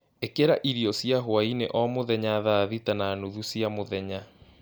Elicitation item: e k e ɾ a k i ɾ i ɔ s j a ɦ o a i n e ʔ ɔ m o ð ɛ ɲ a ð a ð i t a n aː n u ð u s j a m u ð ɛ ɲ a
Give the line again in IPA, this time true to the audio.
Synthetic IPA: e k e ɾ a ʔ i ɾ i ɔ s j a ɦ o a i n e ʔ ɔ m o ð ɛ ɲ a ð a ð i t a n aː n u ð u s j a m o ð ɛ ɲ a